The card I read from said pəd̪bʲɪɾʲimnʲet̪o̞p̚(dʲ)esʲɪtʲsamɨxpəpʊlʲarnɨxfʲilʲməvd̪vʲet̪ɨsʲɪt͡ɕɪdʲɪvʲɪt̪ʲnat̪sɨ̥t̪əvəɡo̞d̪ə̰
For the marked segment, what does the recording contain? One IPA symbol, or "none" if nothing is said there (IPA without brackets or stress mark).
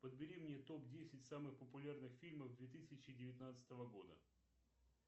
dʲ